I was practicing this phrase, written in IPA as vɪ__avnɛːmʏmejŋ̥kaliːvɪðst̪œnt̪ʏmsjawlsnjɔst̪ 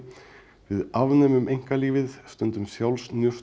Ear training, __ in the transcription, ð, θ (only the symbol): ð